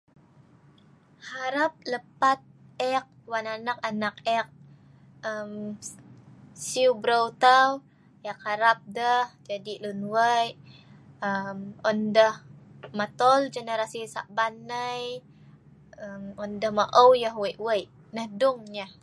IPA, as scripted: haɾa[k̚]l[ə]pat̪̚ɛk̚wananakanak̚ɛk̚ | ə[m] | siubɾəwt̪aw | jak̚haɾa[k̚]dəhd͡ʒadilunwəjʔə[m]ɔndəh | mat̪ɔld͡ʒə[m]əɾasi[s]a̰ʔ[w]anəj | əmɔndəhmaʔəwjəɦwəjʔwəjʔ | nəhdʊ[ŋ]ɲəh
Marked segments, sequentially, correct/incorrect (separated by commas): incorrect, correct, correct, incorrect, correct, incorrect, correct, incorrect, correct